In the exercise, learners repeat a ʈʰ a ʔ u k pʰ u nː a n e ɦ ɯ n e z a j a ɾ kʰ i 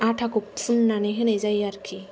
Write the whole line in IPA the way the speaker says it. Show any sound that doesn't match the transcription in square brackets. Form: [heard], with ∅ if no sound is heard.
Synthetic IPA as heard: a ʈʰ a [k] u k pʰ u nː a n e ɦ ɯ n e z a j a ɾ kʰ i